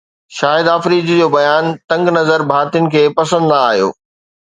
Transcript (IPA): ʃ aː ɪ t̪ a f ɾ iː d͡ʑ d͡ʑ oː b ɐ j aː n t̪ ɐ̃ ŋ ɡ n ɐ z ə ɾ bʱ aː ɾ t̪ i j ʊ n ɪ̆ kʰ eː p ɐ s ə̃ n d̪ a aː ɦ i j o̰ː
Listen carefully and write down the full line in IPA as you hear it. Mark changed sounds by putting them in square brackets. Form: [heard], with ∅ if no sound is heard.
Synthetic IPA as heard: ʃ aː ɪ [d̪] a f ɾ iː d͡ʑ d͡ʑ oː b ɐ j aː n t̪ ɐ̃ ŋ ɡ n ɐ z ə ɾ bʱ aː ɾ t̪ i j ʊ n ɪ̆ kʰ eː p ɐ s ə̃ n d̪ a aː ɦ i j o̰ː